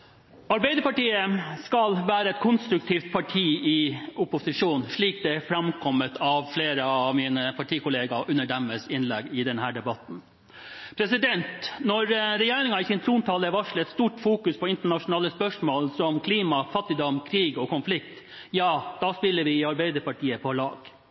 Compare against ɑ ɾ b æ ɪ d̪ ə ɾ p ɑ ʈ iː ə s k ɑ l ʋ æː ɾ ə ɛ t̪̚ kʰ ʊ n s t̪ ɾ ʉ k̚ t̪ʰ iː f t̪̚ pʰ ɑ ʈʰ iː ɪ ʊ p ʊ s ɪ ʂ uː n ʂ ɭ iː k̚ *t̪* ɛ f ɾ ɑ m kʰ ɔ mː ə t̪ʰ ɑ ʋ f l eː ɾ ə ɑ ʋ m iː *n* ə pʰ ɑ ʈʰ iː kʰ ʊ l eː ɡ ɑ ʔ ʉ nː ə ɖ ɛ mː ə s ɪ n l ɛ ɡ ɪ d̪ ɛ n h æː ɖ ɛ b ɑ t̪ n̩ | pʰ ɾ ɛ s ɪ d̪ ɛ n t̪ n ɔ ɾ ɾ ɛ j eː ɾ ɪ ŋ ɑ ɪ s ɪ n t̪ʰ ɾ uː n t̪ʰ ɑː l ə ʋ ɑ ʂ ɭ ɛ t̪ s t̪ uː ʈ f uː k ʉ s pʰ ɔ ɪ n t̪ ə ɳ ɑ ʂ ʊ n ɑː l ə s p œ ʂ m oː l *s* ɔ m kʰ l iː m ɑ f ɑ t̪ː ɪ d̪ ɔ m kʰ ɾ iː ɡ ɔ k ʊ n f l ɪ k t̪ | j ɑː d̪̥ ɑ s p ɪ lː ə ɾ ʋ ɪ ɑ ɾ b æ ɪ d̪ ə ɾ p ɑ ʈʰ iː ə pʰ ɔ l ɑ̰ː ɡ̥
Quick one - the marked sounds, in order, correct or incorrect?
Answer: incorrect, correct, correct

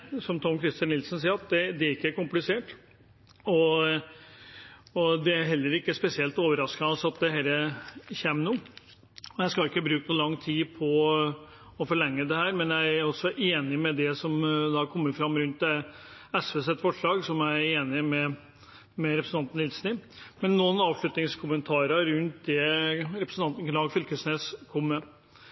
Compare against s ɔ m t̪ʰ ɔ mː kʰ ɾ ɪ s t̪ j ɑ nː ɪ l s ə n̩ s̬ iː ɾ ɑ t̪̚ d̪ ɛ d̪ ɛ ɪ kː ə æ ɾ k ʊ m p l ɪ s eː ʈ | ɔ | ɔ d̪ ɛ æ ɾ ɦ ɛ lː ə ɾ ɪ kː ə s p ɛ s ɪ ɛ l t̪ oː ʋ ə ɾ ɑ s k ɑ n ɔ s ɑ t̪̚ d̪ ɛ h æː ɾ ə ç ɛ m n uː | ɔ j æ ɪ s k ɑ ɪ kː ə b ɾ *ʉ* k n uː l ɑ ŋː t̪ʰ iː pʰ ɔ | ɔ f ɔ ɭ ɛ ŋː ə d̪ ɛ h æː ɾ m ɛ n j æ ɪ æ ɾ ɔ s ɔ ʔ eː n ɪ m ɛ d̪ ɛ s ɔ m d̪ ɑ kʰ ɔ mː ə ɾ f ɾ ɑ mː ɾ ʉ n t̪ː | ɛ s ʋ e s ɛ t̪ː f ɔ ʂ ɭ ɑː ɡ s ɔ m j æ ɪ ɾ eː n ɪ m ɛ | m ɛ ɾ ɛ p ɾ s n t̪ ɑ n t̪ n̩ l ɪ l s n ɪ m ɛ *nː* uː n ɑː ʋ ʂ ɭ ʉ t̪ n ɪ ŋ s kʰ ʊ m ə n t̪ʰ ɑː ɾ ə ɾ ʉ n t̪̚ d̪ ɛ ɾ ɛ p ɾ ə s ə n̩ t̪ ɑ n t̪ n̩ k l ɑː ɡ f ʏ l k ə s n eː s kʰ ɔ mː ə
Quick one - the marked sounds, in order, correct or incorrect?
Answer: incorrect, correct

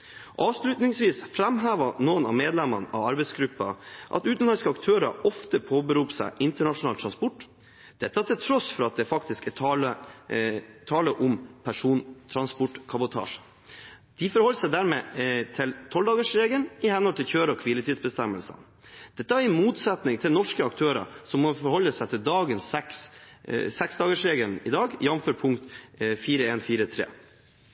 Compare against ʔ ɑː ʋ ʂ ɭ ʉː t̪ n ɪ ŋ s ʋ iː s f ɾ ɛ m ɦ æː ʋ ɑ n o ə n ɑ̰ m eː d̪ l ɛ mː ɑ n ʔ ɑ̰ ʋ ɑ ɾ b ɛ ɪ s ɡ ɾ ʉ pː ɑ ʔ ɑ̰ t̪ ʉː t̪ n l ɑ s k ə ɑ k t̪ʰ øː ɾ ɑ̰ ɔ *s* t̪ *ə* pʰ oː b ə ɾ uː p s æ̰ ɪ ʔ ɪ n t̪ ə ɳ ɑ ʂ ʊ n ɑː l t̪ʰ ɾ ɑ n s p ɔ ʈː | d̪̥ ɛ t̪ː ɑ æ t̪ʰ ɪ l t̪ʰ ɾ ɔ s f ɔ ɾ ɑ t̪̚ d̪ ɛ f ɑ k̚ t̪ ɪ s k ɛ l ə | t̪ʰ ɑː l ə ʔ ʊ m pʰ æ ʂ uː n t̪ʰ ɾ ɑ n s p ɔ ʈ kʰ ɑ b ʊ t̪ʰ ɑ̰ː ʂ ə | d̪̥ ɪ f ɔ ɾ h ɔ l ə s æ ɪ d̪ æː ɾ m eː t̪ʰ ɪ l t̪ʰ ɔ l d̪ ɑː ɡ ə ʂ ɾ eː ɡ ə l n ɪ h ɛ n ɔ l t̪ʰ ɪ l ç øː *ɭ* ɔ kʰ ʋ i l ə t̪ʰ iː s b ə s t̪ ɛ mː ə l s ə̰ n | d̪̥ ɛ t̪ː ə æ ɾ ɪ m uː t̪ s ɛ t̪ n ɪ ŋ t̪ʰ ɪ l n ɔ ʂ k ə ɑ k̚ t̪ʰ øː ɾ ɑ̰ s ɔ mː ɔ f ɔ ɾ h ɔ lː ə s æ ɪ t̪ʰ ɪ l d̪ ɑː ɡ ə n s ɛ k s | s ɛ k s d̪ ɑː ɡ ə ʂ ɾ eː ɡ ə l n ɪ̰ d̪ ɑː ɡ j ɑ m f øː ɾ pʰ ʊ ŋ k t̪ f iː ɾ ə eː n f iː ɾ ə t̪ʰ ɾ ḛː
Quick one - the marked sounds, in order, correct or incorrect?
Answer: incorrect, correct, incorrect

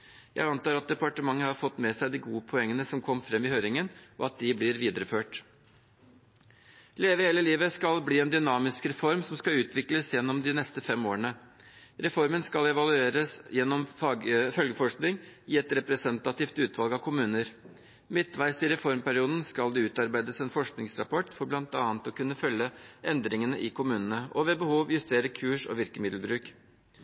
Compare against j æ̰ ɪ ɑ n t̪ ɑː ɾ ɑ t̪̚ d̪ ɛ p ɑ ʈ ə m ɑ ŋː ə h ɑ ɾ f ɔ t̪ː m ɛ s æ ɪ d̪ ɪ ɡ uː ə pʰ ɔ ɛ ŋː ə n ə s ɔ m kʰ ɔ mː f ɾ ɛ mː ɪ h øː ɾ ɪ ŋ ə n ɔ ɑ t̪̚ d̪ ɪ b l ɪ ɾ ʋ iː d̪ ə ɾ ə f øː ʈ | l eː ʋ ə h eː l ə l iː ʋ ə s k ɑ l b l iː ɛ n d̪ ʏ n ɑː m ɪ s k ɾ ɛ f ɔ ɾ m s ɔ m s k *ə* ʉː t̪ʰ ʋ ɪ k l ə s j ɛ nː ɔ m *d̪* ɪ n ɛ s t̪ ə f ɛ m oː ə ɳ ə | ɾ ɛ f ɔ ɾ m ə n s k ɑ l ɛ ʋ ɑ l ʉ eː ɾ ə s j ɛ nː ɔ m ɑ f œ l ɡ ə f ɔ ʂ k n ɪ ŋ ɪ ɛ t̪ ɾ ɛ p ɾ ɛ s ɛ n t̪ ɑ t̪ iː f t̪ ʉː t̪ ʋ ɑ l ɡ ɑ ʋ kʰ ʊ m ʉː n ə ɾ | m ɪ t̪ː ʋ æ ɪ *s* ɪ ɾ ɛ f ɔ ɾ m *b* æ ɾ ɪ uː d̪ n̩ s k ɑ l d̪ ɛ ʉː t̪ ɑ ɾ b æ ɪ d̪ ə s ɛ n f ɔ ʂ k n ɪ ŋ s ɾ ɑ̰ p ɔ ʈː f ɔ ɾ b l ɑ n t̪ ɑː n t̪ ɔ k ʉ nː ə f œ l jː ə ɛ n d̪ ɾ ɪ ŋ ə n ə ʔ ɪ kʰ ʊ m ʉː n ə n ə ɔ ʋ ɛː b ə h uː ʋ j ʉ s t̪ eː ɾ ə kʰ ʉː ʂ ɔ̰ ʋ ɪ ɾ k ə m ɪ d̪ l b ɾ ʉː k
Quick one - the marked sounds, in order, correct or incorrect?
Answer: incorrect, correct, correct, incorrect

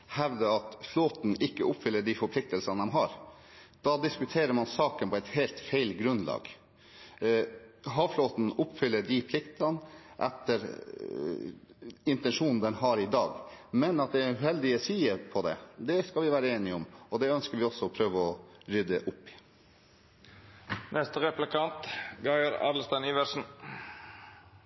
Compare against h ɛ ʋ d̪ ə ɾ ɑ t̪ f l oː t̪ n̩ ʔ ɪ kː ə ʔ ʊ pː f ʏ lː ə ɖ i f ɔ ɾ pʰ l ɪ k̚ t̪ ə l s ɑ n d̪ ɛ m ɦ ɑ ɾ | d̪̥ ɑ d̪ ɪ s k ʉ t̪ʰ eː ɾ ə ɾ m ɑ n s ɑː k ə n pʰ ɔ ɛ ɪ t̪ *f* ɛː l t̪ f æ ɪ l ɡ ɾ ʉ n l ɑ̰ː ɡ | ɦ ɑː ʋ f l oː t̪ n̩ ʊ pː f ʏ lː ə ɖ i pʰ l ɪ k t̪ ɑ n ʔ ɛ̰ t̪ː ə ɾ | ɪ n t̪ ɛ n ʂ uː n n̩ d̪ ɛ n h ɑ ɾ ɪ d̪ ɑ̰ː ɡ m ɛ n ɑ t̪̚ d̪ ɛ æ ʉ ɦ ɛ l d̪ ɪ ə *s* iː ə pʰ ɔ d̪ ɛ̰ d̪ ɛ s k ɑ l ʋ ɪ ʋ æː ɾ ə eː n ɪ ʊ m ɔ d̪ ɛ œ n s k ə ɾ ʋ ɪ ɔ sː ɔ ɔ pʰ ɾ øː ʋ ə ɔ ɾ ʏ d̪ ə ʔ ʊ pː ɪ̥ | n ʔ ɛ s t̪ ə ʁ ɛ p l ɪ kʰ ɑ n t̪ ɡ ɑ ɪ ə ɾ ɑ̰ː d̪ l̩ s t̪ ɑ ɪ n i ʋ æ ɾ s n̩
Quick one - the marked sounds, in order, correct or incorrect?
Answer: incorrect, correct

